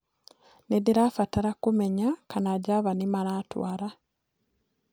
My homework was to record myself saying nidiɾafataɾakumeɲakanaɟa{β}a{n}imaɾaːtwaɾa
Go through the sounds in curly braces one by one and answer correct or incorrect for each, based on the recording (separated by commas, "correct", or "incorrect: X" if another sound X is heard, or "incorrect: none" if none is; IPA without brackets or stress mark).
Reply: correct, correct